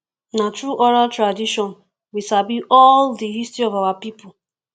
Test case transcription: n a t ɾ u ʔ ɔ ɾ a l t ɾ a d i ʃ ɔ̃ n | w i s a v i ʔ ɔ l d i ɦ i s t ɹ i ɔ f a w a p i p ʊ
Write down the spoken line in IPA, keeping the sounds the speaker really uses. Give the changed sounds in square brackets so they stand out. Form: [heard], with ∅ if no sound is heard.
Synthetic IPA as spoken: n a t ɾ u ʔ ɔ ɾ a l t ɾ a d i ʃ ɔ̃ n | w i s a [b] i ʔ ɔ l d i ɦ i s t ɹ i ɔ [v] a w a p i p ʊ